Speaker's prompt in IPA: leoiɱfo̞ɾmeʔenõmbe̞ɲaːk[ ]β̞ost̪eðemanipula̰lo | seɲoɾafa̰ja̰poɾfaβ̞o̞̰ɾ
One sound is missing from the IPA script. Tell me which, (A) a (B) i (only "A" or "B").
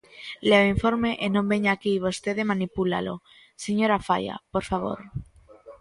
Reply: B